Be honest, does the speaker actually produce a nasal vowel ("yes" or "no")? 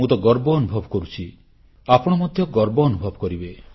no